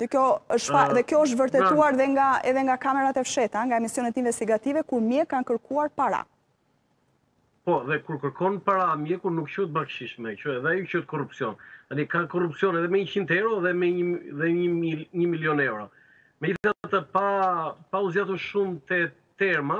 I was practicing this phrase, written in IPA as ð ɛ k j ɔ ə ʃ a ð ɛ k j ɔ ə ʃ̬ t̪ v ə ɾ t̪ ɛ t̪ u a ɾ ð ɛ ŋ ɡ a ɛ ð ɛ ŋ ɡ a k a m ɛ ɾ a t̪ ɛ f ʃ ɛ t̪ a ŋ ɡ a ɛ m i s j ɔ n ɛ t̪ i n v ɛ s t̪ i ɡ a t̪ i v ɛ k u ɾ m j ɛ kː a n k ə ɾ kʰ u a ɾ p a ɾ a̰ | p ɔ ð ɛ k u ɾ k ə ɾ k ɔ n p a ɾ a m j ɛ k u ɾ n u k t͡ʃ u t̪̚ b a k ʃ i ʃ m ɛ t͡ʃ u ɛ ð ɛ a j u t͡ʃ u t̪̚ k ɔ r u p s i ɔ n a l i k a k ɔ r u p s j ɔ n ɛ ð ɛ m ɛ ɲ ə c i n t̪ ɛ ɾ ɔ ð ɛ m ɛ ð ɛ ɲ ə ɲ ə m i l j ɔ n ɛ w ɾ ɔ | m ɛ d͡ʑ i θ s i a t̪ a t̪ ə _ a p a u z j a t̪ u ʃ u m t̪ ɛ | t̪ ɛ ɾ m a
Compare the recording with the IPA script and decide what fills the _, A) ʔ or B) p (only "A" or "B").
B